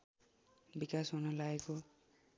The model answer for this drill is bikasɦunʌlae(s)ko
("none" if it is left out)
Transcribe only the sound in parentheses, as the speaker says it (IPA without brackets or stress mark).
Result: none